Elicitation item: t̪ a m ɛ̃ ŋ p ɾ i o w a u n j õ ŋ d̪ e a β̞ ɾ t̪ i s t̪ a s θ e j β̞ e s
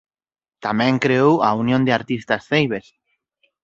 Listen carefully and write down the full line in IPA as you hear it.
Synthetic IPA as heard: t̪ a m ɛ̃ ŋ k ɾ e o w a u n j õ n d̪ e a ɾ t̪ i s t̪ a s θ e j β̞ e s